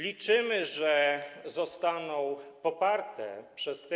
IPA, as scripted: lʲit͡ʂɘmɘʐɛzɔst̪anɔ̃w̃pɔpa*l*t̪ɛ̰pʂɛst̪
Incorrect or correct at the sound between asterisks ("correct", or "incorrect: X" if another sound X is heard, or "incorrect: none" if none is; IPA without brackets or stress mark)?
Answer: incorrect: ɾ